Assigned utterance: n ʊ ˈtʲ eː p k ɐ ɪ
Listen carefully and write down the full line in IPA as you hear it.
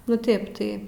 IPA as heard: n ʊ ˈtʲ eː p t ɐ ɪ

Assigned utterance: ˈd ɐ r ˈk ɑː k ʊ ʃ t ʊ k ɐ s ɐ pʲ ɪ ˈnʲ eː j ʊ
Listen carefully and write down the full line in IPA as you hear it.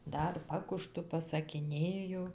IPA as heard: ˈd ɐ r ˈp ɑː k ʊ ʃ t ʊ p ɐ s ɐ kʲ ɪ ˈnʲ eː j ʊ

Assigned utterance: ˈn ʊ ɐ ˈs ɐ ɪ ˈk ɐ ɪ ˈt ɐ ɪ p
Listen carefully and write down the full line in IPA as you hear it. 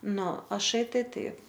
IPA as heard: ˈn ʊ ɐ ˈʃ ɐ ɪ ˈt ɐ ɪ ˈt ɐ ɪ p

